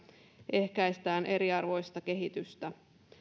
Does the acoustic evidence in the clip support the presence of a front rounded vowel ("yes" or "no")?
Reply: yes